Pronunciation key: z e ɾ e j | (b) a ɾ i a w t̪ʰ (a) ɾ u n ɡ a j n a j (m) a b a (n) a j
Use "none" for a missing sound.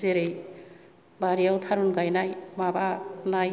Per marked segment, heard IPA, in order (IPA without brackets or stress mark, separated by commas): b, a, m, n